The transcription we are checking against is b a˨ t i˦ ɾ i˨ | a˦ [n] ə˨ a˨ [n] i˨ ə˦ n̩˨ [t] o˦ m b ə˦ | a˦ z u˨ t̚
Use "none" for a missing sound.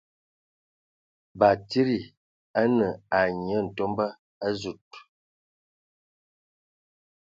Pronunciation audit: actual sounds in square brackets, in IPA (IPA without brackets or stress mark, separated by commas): n, ɲ, t